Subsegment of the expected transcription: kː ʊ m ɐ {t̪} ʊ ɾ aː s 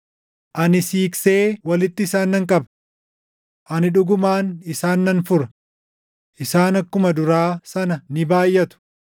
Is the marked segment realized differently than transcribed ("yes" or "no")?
yes